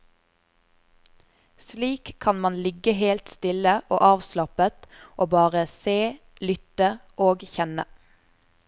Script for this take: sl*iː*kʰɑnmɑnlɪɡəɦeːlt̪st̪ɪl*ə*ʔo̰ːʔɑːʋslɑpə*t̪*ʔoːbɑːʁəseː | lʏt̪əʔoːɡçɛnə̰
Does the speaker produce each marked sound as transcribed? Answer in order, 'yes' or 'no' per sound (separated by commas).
yes, yes, yes